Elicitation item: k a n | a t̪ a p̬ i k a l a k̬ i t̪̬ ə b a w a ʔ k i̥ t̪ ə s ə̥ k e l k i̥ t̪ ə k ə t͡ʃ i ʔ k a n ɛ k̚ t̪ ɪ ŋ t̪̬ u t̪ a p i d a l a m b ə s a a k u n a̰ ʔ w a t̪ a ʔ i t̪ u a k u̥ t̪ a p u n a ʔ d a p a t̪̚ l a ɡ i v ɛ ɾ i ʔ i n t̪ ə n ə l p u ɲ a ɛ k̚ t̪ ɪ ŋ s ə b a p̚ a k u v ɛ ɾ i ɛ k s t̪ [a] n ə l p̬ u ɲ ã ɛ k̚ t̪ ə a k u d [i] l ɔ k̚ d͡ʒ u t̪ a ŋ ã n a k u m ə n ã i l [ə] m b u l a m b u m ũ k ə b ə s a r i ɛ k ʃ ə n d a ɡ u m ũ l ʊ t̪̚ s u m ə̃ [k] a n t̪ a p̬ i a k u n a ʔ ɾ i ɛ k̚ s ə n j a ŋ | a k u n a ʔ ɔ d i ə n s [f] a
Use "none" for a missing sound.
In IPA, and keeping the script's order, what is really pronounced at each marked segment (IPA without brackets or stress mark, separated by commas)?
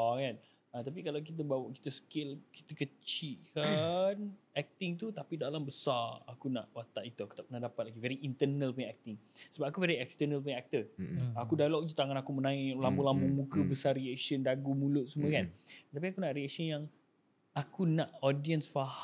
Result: ə, a, a, k, f